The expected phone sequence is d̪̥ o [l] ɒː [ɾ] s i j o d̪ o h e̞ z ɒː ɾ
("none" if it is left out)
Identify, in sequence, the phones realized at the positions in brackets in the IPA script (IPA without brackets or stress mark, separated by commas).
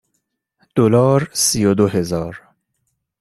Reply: l, ɾ